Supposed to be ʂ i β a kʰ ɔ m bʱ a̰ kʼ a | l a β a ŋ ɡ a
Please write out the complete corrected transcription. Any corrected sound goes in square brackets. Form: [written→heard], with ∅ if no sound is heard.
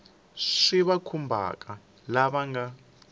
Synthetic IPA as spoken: ʂ i β a kʰ [ɔ→u] m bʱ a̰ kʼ a | l a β a ŋ ɡ a